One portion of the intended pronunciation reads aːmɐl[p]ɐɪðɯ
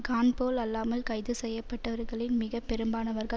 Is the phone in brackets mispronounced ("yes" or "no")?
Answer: yes